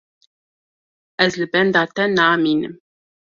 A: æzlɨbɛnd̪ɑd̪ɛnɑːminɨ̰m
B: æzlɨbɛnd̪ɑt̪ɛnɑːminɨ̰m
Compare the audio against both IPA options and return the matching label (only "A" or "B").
B